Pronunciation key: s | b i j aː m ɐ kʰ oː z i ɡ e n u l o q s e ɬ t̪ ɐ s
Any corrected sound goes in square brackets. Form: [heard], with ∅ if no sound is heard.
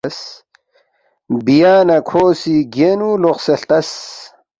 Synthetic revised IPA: s | b i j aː [n] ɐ kʰ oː [s] i ɡ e n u l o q s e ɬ t̪ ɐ s